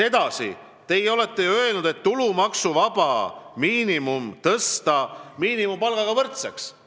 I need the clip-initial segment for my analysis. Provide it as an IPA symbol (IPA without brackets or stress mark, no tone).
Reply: e̞